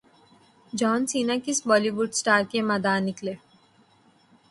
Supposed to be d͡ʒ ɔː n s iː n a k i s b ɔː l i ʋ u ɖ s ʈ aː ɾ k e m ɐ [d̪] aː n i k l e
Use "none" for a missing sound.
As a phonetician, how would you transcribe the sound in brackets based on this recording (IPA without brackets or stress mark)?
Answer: d̪